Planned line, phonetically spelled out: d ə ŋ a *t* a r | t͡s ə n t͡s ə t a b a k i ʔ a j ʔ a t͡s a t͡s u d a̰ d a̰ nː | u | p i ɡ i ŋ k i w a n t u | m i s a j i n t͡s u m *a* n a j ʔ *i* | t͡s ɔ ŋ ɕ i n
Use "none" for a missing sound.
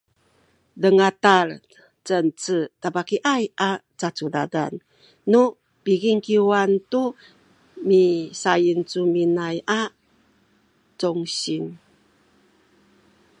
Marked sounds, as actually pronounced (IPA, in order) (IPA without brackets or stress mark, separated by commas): t, i, a